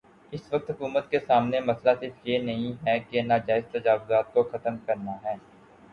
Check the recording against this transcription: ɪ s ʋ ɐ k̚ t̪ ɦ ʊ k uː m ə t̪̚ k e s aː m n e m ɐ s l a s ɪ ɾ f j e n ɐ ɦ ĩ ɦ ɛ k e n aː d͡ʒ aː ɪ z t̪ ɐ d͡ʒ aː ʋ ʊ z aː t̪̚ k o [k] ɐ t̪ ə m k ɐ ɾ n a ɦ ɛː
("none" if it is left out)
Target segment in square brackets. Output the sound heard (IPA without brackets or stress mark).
x